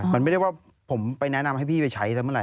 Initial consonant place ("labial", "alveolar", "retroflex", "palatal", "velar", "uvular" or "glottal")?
labial